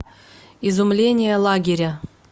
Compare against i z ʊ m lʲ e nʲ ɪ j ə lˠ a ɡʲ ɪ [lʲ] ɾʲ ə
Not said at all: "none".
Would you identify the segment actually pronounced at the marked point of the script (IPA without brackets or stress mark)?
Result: none